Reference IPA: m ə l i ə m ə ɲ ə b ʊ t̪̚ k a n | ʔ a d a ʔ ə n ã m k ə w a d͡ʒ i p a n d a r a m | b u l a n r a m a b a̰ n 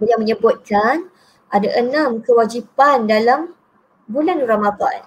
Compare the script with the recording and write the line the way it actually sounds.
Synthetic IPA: b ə l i a m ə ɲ ə b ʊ t̪̚ k a n | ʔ a d a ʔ ə n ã m k ə w a d͡ʒ i p a n d a l a m | b u l a n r a m a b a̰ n